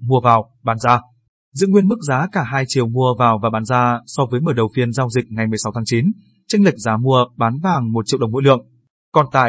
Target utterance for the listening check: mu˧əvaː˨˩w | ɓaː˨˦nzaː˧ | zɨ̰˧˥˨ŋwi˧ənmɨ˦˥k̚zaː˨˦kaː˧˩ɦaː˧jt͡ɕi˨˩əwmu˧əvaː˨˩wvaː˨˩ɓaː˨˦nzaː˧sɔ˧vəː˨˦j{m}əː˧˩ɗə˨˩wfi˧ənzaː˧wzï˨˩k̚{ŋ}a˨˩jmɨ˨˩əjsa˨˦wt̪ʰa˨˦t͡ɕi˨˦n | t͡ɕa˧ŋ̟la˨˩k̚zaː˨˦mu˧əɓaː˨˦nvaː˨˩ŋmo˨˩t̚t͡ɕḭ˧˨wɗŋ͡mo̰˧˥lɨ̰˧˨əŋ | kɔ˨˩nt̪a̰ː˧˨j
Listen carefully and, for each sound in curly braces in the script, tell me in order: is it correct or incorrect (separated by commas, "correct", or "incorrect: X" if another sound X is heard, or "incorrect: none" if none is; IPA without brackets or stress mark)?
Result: correct, correct